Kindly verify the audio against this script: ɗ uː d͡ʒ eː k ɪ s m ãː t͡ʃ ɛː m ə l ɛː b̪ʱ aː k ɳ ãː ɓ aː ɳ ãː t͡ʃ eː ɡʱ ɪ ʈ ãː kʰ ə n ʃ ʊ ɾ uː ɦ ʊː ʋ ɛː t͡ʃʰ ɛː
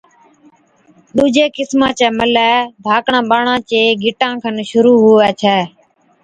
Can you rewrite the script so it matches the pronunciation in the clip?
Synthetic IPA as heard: ɗ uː d͡ʒ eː k ɪ s m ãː t͡ʃ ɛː m ə l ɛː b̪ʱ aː k ɳ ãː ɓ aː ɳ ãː t͡ʃ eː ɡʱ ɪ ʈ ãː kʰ ə n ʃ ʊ ɾ uː ɦ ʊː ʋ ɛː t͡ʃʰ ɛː